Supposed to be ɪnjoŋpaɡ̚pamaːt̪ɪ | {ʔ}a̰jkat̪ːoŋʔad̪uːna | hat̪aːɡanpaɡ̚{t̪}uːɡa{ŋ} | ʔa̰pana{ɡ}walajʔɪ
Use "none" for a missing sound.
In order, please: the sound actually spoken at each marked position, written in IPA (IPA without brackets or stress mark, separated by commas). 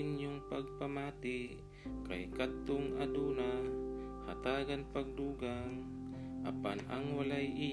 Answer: k, d̪, ŋ, ŋ